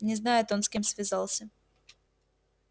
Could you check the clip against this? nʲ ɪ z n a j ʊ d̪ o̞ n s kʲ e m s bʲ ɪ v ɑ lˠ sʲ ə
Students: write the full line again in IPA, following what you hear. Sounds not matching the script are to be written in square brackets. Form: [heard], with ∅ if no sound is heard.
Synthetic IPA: nʲ ɪ z n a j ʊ [t̪] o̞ n s kʲ e m s [vʲ] ɪ [z] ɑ lˠ sʲ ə